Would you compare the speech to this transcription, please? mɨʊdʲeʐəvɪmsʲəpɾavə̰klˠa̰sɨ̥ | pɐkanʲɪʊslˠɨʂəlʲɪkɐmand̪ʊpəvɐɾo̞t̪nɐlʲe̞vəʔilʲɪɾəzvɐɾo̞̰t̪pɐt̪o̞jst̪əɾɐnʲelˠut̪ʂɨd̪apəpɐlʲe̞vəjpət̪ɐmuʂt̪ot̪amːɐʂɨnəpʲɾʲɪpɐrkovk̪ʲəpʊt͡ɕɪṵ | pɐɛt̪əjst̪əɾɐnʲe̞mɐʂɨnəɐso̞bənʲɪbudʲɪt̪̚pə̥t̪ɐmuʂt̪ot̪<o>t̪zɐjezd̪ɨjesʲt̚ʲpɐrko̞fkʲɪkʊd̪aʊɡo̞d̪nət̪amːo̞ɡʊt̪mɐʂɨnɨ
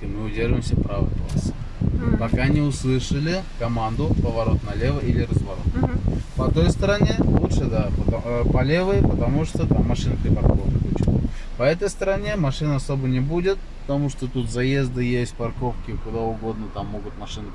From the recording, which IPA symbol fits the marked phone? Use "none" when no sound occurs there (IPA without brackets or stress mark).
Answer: u